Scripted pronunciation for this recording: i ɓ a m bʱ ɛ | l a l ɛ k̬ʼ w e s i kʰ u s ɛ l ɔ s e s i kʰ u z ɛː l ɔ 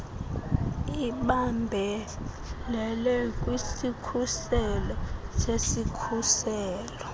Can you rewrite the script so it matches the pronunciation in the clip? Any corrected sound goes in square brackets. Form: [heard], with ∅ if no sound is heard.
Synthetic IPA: i ɓ a m bʱ ɛ | l [ɛ] l ɛ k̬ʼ w [i] s i kʰ u s ɛ l ɔ s e s i kʰ u [s] ɛː l ɔ